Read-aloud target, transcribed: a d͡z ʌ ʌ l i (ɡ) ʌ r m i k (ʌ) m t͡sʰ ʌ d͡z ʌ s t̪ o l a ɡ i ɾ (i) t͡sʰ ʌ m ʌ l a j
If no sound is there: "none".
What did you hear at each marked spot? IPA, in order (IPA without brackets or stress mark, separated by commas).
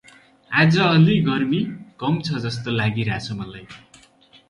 ɡ, ʌ, a